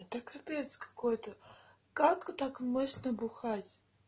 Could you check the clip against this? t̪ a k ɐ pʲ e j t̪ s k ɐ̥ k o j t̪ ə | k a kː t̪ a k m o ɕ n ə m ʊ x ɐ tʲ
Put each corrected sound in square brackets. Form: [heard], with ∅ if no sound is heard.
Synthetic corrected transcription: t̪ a k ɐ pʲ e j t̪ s k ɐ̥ k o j t̪ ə | k a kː t̪ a k m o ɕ n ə [b] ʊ x [a] tʲ